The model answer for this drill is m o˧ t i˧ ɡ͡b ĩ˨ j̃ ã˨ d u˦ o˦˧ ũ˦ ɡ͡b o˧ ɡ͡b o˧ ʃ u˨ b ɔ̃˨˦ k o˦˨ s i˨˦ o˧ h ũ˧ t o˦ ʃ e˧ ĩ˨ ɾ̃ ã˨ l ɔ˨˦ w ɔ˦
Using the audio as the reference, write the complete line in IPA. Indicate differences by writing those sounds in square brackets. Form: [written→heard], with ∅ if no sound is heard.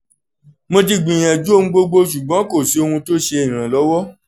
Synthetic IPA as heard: m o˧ t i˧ ɡ͡b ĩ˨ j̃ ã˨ [d→d͡ʒ] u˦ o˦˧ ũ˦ ɡ͡b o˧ ɡ͡b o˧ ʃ u˨ [b→ɡ͡b] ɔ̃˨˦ k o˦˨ s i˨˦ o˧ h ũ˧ t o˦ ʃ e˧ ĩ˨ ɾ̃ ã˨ l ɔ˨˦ w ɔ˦